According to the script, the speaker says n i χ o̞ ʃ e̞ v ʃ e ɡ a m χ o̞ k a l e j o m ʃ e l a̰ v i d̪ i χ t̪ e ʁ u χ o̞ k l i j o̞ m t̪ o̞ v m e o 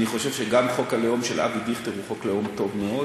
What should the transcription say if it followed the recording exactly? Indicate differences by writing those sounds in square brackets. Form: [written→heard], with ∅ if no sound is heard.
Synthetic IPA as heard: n i χ o̞ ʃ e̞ v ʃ e ɡ a m χ o̞ k a l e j o m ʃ e l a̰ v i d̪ i χ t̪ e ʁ u χ o̞ k l [i→e] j o̞ m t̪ o̞ v m e o